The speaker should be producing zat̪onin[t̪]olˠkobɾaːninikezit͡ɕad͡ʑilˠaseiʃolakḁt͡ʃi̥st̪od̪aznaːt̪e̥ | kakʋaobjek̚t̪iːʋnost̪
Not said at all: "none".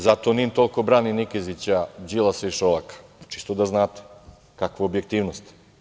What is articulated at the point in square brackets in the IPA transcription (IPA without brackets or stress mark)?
t̪